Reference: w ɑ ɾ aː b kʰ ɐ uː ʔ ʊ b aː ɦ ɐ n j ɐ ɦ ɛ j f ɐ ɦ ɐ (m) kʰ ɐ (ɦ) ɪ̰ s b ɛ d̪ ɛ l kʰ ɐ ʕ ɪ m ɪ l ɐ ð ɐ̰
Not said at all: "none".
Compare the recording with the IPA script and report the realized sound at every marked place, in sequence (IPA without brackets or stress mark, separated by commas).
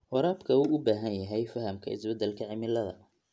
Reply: m, none